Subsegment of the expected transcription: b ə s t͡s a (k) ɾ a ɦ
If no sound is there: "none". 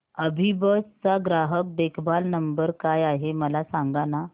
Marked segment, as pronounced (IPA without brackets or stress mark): ɡ